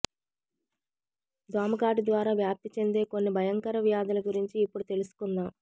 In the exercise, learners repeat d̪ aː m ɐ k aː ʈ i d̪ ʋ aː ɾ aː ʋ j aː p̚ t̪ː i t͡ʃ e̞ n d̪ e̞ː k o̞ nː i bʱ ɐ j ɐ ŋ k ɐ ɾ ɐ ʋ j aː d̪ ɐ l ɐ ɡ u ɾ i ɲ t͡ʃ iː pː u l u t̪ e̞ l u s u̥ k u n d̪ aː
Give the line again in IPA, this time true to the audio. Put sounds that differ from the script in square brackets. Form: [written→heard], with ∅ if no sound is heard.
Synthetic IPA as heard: d̪ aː m ɐ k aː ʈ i d̪ ʋ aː ɾ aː ʋ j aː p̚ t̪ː i t͡ʃ e̞ n d̪ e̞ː k o̞ nː i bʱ ɐ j ɐ ŋ k ɐ ɾ ɐ ʋ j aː d̪ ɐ l ɐ ɡ u ɾ i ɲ t͡ʃ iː pː u [l→ɽ] u t̪ e̞ l u s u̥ k u n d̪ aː